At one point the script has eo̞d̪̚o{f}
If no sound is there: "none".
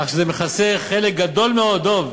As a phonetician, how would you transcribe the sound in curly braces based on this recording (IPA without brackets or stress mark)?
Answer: v